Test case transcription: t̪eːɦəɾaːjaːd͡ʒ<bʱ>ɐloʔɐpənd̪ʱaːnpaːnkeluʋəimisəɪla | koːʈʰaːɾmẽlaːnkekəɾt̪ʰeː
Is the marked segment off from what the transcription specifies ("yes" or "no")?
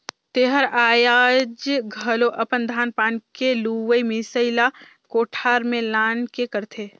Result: yes